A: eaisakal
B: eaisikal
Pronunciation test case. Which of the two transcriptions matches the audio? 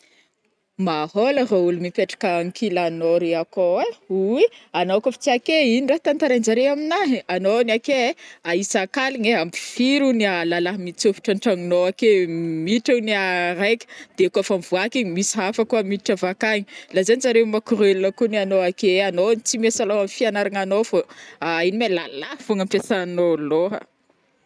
A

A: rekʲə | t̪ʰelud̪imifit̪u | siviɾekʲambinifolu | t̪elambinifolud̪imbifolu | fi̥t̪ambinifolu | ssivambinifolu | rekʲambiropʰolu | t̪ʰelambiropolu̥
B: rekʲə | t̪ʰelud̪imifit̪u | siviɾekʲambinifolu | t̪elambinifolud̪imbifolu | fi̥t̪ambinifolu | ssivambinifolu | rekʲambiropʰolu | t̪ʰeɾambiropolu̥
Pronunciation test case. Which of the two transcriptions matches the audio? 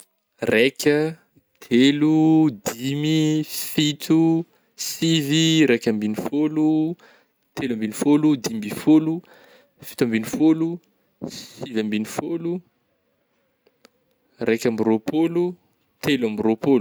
A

